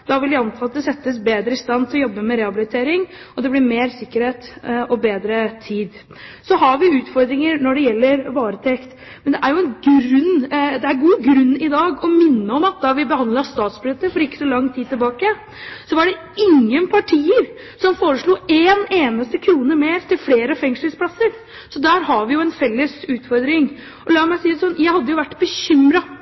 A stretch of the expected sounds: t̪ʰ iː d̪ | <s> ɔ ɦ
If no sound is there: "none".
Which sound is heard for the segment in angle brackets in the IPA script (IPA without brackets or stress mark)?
s